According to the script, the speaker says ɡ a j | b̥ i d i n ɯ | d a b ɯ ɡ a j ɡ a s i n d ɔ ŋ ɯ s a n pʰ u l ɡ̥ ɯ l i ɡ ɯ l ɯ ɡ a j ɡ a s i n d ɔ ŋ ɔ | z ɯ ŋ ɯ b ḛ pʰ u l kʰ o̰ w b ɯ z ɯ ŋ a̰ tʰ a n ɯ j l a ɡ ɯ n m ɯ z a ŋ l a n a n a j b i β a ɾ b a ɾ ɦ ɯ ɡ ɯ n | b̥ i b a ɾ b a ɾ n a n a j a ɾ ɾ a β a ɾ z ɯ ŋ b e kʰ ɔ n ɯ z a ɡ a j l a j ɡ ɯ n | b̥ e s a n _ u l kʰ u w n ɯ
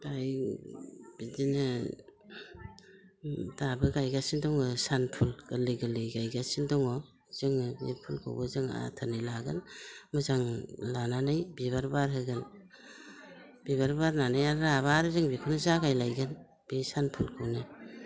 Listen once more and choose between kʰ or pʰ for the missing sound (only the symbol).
pʰ